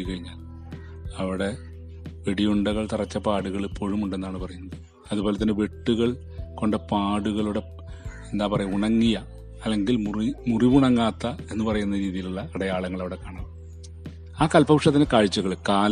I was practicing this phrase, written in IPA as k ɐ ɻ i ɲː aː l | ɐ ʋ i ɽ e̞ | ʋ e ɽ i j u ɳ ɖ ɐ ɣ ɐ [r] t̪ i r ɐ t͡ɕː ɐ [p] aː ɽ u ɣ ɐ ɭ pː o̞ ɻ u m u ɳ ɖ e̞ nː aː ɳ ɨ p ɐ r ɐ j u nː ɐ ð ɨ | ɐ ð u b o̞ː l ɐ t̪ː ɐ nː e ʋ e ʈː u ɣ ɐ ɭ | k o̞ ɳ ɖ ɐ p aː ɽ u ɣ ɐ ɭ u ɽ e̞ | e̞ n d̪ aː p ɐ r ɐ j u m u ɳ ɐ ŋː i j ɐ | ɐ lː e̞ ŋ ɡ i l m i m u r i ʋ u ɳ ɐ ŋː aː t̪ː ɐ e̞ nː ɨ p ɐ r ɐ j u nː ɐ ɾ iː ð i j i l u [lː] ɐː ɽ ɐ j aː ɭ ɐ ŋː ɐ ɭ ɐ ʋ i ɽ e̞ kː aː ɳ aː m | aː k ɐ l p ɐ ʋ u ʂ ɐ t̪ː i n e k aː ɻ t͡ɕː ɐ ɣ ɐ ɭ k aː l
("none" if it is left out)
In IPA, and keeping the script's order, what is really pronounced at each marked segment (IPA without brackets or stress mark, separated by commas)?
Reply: ɭ, p, ɭː